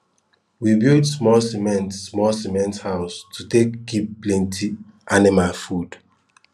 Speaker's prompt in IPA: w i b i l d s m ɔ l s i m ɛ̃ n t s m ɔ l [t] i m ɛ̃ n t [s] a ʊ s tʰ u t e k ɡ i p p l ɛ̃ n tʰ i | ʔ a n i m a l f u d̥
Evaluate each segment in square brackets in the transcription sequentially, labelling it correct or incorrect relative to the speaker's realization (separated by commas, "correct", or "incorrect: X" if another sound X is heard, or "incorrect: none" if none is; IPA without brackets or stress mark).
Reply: incorrect: s, incorrect: h